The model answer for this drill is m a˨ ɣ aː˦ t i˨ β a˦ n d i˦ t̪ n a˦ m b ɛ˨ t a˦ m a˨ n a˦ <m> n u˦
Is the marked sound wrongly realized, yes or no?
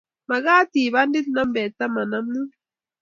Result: no